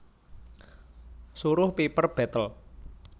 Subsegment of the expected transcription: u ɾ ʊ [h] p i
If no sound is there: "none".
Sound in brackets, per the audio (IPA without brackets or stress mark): h